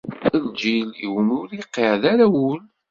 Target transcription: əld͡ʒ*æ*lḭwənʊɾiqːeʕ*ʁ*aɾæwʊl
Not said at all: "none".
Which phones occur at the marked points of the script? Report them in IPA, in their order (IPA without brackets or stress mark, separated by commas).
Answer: i, ð